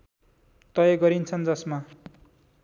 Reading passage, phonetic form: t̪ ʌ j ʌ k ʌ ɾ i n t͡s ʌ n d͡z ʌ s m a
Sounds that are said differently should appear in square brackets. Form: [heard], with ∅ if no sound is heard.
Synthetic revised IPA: t̪ ʌ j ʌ [ɡ] ʌ ɾ i n [t͡sʰ] ʌ n d͡z ʌ s m a